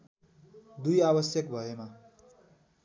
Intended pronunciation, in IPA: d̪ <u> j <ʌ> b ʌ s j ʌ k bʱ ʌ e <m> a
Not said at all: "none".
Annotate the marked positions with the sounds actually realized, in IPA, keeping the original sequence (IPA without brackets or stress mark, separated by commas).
u, a, m